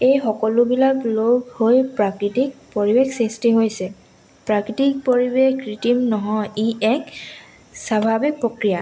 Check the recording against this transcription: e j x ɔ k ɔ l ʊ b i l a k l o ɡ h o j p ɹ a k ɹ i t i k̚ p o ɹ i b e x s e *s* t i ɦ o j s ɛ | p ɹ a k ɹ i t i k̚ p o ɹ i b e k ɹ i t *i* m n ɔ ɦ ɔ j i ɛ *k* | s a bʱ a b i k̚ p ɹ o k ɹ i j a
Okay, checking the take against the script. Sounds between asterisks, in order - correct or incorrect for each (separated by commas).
correct, correct, correct